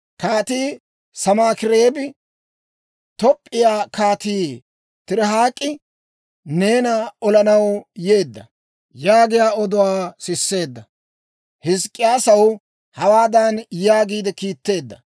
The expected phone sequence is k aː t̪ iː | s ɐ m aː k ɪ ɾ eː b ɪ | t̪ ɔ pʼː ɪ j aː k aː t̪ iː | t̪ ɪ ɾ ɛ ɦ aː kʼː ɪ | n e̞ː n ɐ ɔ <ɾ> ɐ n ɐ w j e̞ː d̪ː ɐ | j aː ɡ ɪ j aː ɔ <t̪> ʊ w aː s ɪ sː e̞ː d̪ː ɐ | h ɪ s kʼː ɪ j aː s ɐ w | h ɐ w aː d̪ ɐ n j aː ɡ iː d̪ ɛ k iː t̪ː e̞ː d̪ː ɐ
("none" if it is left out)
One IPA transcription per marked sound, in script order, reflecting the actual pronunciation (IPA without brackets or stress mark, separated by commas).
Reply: l, d̪